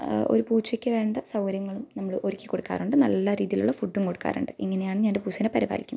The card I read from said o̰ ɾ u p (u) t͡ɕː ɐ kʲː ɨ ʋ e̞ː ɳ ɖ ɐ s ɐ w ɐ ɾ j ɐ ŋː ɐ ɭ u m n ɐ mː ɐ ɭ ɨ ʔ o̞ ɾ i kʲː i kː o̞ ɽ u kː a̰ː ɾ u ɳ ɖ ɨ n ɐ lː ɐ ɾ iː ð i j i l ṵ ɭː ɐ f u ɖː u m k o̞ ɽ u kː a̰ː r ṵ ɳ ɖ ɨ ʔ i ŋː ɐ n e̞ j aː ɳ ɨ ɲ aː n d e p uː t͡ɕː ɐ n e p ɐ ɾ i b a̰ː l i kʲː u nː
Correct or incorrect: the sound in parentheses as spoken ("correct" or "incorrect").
incorrect